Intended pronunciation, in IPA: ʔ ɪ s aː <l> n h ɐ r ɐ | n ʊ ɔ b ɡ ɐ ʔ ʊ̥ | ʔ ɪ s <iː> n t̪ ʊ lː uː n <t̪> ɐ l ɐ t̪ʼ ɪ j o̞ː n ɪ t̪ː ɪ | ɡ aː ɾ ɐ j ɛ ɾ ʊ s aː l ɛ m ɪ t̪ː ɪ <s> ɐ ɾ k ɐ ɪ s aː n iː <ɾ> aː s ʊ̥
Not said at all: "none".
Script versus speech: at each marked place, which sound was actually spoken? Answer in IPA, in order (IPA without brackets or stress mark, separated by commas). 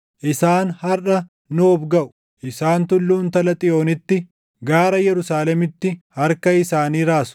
none, aː, t̪, h, ɾ